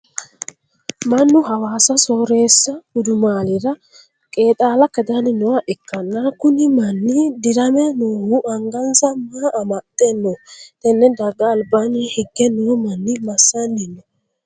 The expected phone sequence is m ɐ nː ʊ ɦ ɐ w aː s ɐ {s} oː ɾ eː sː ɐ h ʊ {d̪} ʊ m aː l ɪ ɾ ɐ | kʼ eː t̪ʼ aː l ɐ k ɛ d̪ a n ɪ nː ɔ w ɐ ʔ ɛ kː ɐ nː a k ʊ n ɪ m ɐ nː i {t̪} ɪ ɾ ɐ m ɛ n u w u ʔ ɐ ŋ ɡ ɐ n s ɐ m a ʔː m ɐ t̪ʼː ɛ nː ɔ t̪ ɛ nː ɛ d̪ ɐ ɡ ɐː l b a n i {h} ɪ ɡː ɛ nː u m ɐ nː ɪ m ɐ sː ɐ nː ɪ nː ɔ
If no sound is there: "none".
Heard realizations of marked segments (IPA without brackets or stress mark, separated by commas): s, d̪, d̪, h